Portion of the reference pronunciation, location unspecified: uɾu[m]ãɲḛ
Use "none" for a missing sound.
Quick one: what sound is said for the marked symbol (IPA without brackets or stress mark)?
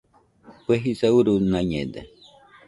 n